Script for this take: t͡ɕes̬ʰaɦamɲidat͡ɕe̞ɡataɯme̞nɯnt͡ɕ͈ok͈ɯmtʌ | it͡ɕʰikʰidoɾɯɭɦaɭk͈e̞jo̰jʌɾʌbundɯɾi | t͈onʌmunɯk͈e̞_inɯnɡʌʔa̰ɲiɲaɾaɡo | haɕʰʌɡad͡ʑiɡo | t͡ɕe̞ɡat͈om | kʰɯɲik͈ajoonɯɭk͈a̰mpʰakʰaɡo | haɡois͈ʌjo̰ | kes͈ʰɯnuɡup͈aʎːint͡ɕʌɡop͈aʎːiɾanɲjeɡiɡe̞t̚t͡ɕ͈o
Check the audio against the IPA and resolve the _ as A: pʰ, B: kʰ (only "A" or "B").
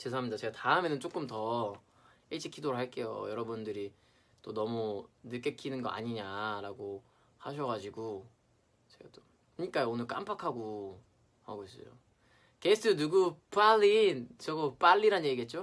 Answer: B